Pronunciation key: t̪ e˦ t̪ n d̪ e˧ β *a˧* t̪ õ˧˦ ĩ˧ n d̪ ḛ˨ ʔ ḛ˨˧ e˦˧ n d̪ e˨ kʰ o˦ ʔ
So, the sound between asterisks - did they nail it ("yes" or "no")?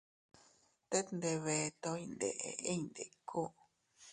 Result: no